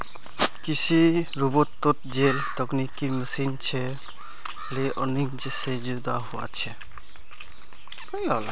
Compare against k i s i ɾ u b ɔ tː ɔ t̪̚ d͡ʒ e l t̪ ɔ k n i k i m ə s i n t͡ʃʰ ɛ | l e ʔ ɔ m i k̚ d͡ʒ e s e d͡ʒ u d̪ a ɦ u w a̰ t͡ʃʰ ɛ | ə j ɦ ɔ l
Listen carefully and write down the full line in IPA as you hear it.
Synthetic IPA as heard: k i s i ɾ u b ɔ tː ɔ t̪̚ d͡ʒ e l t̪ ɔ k n i k i m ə s i n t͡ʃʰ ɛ | l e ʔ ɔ n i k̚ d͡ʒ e s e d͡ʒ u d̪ a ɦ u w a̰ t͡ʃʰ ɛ | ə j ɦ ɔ l